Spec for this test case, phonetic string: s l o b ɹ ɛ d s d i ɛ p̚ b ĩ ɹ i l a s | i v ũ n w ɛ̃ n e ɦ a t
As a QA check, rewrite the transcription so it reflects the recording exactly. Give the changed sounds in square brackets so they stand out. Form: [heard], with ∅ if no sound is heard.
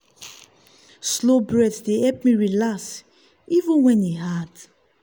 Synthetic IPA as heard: s l o b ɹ ɛ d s d [e] ɛ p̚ [m] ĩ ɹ i l a s | i v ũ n w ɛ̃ n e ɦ a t